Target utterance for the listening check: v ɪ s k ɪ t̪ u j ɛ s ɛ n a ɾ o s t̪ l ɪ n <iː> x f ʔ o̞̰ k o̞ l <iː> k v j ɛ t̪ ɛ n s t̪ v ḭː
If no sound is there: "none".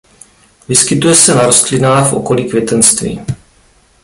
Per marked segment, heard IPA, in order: aː, iː

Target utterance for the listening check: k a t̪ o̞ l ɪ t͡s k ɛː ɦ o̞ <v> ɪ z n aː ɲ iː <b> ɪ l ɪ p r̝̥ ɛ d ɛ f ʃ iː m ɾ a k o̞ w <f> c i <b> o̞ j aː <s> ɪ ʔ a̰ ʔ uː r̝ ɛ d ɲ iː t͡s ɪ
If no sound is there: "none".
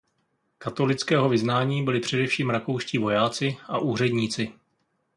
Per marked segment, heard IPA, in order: v, b, ʃ, v, t͡s

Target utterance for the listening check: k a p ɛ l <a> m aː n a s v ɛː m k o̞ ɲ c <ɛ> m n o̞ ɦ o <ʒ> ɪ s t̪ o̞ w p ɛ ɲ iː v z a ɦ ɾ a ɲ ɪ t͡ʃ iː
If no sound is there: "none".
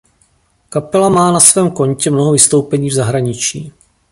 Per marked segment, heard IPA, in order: a, ɛ, v

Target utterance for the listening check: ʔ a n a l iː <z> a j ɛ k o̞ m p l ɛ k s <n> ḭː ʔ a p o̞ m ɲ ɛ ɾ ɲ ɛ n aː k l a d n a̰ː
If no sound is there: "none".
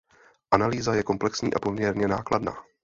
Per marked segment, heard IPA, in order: z, ɲ

